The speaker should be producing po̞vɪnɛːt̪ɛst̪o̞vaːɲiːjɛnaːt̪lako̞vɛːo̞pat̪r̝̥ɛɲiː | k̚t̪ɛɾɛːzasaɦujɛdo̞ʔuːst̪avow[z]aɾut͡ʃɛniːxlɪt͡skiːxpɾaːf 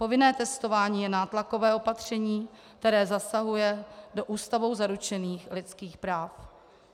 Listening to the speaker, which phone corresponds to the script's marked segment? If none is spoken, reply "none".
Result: z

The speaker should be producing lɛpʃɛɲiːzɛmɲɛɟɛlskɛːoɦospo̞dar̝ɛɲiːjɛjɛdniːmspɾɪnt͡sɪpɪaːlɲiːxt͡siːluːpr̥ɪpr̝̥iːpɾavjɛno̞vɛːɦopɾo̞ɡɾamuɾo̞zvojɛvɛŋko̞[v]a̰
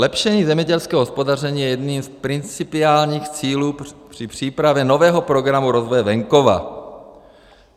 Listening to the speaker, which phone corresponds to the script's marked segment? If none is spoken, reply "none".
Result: v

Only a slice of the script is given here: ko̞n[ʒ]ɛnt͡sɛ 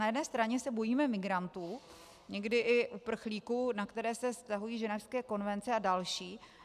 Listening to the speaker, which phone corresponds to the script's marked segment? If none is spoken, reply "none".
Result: v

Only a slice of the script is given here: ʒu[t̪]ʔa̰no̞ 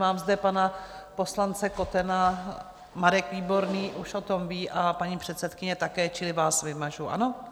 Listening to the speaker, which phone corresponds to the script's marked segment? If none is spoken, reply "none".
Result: none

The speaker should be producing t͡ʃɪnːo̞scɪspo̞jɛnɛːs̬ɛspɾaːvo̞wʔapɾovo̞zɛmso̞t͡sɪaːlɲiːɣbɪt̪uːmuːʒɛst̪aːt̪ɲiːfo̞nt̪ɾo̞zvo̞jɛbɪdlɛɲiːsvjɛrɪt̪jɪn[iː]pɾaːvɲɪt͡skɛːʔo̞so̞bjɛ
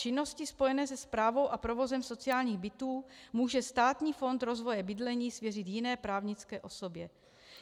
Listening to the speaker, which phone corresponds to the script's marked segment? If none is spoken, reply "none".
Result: ɛː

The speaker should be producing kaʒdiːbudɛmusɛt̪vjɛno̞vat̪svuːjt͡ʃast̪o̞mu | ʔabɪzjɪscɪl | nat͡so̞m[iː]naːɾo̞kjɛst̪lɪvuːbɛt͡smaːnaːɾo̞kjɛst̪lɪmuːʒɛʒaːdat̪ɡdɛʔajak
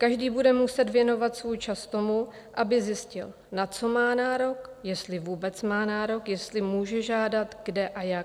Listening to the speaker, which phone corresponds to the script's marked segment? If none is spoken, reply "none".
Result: aː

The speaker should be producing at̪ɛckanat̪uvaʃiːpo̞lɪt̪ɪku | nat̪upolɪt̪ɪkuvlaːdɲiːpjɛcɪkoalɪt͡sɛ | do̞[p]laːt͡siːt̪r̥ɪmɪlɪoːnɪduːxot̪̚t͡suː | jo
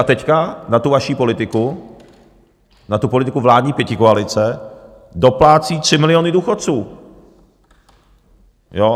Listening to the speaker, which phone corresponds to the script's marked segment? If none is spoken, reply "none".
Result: p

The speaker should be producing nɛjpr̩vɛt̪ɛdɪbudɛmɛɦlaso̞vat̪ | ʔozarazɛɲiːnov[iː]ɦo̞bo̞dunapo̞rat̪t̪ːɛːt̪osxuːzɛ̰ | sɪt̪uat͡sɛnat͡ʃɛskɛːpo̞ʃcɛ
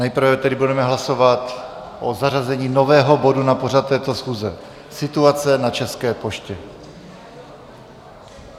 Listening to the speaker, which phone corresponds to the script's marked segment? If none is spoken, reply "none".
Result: ɛː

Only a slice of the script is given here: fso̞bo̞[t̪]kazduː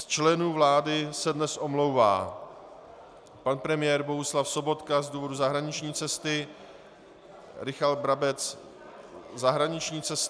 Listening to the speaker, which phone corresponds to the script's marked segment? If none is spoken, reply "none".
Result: t̪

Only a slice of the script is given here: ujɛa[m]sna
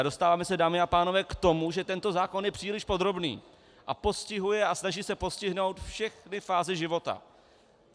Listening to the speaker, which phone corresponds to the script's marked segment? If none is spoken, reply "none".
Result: none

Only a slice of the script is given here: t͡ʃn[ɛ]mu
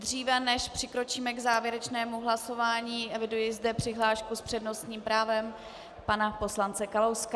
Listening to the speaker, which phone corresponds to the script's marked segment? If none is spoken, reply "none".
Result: ɛː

